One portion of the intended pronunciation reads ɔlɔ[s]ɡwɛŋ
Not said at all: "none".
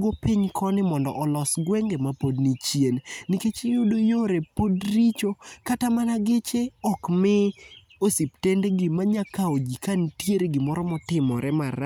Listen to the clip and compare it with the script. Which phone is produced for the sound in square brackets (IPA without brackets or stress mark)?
s